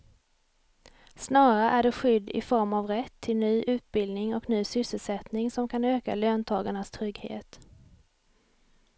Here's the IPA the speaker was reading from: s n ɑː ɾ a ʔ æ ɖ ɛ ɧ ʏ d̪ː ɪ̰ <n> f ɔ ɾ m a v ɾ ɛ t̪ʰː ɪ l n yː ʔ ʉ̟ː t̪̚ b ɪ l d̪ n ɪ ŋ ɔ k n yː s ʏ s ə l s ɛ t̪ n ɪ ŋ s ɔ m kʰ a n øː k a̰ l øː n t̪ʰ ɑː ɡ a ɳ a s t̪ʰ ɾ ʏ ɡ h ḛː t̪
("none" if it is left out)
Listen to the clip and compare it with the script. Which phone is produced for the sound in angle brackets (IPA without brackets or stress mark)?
none